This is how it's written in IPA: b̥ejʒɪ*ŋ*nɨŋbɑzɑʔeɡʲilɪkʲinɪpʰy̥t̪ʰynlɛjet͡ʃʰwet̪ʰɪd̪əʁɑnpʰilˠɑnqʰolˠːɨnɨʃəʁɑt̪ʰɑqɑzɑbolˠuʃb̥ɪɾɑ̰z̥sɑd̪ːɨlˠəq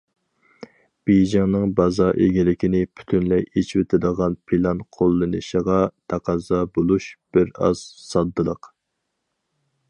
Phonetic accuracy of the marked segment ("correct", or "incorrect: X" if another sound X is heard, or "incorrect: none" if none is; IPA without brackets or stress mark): correct